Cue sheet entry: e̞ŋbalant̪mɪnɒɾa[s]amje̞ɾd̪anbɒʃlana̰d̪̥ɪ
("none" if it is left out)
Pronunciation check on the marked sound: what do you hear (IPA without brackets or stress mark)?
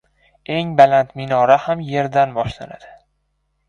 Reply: h